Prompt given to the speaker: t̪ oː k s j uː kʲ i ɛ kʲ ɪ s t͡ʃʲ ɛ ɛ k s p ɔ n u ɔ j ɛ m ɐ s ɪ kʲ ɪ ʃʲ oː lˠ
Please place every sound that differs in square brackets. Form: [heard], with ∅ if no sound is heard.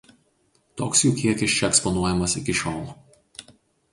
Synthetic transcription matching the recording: t̪ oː k s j uː kʲ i ɛ kʲ ɪ s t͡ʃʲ ɛ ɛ k s p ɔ n u ɔ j ɛ m ɐ s ɪ kʲ ɪ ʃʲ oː lˠ